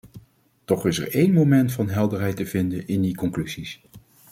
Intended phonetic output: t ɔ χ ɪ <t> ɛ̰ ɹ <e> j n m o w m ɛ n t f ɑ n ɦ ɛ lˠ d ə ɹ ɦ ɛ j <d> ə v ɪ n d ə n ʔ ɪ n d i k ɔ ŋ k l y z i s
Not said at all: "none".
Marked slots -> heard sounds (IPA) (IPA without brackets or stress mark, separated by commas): s, e, t